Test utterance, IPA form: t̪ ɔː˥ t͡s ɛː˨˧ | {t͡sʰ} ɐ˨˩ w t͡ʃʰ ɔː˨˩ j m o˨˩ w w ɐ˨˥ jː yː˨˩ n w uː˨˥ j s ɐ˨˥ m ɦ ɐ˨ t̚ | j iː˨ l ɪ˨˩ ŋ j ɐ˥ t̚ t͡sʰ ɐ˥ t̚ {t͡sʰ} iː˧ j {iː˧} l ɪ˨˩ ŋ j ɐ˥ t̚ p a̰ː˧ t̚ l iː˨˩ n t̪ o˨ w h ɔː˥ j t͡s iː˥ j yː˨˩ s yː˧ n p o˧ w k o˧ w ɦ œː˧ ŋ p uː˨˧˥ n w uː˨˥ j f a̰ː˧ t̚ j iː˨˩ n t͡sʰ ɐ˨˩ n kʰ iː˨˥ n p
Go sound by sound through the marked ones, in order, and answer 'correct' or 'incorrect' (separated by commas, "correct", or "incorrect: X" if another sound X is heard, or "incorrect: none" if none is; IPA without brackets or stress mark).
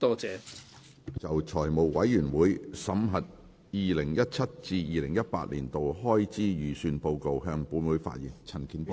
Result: incorrect: t͡s, incorrect: t͡s, correct